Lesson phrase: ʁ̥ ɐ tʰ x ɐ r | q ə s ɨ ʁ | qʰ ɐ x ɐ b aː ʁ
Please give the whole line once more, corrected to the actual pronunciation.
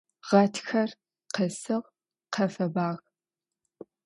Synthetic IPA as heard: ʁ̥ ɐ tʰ x ɐ r | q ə s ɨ ʁ | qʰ ɐ f ɐ b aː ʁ